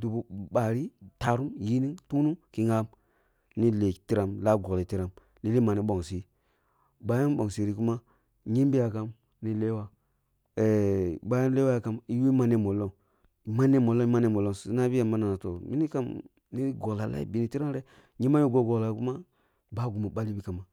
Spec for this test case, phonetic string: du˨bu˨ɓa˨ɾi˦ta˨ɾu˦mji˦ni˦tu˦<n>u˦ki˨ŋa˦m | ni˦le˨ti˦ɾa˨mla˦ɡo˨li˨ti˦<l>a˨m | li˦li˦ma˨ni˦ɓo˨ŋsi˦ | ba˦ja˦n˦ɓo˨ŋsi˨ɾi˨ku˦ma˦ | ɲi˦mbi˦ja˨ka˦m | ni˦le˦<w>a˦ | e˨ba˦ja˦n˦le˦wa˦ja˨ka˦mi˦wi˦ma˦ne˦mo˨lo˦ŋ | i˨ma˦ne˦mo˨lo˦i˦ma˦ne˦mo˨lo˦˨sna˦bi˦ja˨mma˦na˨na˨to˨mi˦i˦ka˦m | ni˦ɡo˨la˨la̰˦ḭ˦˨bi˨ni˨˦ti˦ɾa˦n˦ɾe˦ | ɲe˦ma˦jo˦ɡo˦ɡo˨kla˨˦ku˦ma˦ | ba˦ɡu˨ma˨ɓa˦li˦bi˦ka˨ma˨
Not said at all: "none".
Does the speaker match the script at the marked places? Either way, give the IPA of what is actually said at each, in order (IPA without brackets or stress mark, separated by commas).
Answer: n, ɾ, w